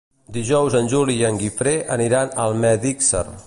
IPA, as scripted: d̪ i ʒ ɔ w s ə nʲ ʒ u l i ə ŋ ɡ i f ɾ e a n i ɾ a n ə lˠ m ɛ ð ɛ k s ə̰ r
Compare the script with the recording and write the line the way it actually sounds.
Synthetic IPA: d̪ i ʒ ɔ w z ə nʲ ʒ u l i ə ŋ ɡ i f ɾ e ə n i ɾ a n ə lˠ m ɛ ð i k s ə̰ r